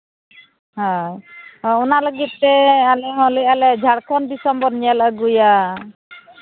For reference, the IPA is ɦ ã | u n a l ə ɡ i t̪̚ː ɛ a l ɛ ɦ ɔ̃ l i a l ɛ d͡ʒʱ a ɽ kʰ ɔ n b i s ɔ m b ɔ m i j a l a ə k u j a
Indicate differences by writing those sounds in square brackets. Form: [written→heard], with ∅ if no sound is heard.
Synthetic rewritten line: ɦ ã | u n a l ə ɡ i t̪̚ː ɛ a l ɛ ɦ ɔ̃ l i a l ɛ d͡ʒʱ a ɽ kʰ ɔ n b i s ɔ m b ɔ [m→n] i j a l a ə [k→ɡ] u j a